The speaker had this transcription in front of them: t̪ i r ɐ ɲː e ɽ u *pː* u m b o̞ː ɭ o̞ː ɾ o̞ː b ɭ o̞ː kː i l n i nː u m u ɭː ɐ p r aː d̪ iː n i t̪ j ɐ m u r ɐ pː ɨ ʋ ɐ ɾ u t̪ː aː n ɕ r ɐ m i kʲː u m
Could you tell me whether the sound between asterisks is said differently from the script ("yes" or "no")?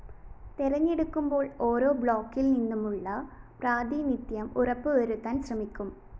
yes